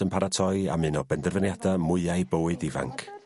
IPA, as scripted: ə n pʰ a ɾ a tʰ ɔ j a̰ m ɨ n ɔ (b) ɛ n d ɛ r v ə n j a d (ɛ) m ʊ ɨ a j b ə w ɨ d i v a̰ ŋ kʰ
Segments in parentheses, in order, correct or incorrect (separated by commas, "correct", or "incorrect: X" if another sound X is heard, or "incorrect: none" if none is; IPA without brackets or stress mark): correct, incorrect: a